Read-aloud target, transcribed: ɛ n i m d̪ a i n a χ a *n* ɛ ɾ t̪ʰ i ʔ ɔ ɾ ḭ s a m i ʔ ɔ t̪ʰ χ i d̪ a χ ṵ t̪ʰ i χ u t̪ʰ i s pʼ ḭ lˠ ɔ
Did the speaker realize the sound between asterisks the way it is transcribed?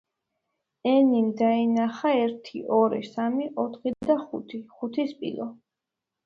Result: no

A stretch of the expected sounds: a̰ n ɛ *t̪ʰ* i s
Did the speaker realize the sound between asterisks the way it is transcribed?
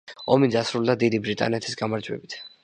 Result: yes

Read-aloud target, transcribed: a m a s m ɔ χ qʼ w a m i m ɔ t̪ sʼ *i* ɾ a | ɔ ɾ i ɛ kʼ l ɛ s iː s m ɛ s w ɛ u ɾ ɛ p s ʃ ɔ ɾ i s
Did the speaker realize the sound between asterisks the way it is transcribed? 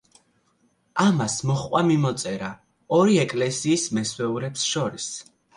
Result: no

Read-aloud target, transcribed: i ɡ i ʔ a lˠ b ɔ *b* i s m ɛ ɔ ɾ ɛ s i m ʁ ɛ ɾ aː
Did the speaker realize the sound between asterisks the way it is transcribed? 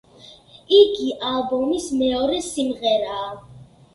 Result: no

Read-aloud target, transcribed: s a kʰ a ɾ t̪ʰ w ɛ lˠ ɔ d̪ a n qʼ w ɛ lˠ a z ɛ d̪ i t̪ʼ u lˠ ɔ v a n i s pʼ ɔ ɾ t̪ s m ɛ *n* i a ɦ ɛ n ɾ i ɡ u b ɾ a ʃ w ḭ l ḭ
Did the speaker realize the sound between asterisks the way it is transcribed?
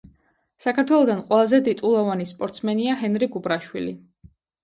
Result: yes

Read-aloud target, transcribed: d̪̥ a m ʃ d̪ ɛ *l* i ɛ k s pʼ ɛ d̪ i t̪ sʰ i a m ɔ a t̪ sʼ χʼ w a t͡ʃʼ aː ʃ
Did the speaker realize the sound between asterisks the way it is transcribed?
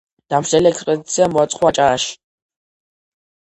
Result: yes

